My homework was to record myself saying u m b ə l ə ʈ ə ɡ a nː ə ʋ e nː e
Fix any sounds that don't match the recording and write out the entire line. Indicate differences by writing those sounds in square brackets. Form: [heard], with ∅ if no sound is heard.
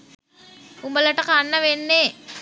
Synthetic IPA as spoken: u m b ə l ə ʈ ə [k] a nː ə ʋ e nː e